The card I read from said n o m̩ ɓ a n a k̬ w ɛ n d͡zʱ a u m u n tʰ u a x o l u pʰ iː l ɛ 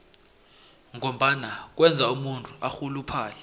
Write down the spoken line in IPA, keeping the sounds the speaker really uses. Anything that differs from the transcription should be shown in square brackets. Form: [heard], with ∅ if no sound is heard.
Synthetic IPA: [ŋ] o m̩ ɓ a n a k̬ w ɛ n d͡zʱ a u m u n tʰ u a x [u] l u pʰ [aː] l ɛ